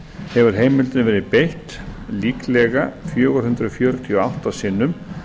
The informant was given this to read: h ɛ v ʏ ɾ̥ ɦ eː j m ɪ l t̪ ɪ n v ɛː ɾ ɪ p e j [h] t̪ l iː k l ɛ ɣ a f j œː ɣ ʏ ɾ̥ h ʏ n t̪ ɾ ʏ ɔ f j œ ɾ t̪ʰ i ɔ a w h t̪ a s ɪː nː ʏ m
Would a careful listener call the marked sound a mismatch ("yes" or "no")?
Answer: no